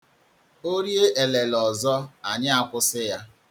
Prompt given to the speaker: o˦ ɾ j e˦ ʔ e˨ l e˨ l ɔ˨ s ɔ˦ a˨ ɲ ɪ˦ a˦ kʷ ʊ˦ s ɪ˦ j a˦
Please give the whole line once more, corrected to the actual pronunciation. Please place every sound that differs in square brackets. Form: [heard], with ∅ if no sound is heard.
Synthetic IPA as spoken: o˦ ɾ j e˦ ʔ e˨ l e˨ l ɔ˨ [z] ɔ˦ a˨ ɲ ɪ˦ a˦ kʷ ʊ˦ s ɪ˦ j a˦